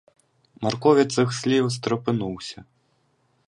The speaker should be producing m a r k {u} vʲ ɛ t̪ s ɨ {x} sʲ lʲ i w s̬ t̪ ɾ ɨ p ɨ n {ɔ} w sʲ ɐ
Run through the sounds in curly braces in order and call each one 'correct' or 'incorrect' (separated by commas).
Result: incorrect, correct, incorrect